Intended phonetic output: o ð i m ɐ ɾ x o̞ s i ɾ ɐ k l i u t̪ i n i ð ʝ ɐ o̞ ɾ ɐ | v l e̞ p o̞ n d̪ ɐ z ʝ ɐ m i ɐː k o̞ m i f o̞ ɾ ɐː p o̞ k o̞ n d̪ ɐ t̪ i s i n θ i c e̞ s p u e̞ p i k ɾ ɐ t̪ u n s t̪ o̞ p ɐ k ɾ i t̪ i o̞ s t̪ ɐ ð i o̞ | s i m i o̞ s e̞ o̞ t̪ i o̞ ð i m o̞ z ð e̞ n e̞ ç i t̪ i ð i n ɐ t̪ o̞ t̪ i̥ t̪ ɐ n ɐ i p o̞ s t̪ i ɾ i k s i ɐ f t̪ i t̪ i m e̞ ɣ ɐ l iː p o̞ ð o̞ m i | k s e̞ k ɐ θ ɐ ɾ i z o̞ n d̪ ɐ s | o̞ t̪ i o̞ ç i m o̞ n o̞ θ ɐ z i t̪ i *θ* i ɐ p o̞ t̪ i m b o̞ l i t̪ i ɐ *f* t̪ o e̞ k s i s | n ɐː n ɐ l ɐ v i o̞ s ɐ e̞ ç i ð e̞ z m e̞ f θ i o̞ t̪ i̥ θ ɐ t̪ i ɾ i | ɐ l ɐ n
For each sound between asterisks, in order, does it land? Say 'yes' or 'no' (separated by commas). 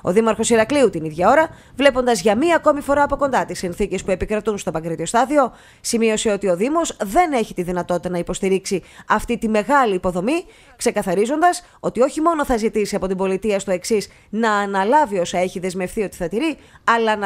no, no